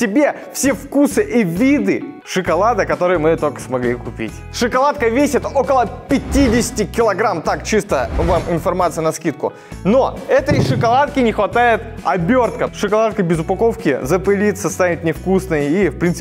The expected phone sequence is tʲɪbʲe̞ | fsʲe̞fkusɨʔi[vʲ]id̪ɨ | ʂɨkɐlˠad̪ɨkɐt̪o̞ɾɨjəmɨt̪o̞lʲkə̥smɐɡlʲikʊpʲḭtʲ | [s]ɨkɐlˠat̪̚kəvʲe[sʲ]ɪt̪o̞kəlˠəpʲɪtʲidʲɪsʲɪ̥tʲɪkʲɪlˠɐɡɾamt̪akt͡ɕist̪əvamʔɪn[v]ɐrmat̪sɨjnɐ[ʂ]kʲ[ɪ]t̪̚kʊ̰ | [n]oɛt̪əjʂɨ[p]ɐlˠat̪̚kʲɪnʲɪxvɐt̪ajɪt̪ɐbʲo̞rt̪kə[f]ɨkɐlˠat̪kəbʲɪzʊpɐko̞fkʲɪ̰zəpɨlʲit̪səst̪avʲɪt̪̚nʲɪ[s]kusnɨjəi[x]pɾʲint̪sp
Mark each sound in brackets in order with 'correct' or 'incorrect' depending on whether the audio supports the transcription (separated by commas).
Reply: correct, incorrect, correct, incorrect, incorrect, incorrect, correct, incorrect, incorrect, incorrect, incorrect